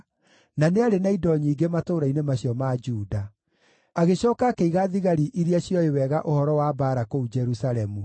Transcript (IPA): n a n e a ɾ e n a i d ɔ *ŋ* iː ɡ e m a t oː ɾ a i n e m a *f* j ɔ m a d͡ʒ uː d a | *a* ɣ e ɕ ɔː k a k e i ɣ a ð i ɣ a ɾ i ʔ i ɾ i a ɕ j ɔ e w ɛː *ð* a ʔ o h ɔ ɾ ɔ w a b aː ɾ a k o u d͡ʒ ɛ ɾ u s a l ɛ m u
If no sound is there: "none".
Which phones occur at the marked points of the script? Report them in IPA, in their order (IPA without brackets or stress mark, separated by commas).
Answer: ɲ, ɕ, a, ɣ